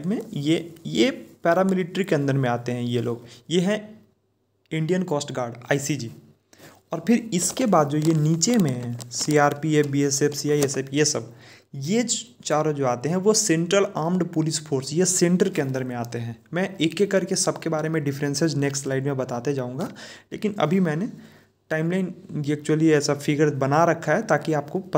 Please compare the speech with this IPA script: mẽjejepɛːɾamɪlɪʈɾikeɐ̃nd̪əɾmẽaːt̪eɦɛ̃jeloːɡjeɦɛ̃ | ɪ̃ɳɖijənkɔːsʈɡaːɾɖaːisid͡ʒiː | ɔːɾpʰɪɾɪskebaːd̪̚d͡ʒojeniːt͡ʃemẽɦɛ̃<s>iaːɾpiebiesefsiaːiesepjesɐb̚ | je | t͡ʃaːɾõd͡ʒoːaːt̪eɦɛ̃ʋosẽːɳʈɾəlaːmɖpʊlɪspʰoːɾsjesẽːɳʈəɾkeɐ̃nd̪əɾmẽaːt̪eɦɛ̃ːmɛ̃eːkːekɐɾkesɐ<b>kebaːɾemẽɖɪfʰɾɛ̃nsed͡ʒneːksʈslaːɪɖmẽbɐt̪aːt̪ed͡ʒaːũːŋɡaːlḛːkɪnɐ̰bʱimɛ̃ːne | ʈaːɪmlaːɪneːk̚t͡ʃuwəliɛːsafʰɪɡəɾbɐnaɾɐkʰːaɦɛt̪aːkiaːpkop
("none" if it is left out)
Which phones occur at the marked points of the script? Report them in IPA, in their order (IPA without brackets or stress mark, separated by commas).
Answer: s, b